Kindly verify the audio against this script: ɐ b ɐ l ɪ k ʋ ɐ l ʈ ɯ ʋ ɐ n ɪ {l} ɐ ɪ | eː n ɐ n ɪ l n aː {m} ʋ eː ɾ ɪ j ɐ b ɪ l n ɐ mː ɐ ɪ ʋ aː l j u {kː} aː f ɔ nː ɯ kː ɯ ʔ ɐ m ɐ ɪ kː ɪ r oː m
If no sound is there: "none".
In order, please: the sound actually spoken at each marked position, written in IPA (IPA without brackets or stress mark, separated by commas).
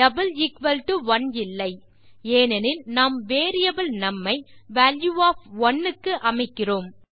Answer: lː, m, none